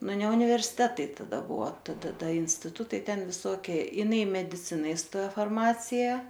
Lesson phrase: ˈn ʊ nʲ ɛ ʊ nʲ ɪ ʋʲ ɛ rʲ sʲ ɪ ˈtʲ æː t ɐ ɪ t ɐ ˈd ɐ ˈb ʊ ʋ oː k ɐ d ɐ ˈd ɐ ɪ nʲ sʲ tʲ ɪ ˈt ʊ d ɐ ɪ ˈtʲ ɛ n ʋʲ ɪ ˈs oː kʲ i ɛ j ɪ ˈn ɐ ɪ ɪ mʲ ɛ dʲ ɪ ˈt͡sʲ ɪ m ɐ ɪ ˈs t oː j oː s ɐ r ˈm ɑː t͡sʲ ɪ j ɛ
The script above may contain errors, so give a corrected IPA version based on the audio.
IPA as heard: ˈn ʊ nʲ ɛ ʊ nʲ ɪ ʋʲ ɛ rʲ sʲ ɪ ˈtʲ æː t ɐ ɪ t ɐ ˈd ɐ ˈb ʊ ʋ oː t ɐ d ɐ ˈd ɐ ɪ nʲ sʲ tʲ ɪ ˈt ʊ t ɐ ɪ ˈtʲ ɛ n ʋʲ ɪ ˈs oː kʲ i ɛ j ɪ ˈn ɐ ɪ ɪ mʲ ɛ dʲ ɪ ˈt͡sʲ ɪ n ɐ ɪ ˈs t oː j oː f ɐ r ˈm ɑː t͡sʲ ɪ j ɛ